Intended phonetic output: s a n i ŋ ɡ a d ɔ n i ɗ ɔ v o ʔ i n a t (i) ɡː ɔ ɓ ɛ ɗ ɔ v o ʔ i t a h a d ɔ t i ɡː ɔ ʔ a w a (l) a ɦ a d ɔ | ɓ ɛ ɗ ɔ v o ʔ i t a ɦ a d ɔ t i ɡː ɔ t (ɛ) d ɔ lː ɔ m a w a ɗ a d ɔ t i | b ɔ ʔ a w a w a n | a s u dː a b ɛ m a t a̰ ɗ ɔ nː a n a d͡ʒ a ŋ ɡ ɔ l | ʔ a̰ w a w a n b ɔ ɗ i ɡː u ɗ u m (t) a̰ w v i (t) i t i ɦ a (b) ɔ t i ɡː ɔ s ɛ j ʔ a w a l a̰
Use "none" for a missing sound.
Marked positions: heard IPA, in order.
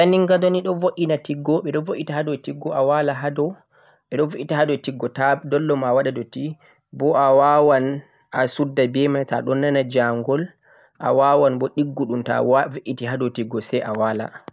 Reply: i, l, a, t, ʔ, d

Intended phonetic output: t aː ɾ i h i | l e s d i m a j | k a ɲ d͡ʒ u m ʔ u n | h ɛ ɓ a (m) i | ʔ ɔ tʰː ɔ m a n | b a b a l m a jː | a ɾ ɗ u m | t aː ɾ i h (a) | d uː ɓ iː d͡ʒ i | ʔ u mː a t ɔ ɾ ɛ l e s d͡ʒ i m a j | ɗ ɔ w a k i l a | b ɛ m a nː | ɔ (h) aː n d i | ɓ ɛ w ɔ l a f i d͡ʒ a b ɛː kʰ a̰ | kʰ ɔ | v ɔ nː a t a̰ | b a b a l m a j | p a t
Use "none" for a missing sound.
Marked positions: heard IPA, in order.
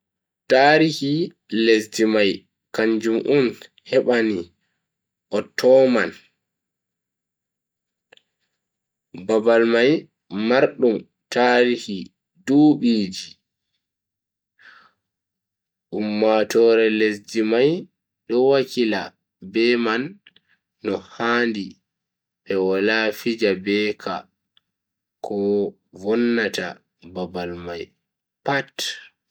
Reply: n, i, h

